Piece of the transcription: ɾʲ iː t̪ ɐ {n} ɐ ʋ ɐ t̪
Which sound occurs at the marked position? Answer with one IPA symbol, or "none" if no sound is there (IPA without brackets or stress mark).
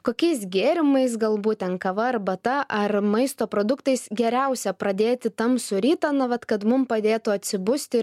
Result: n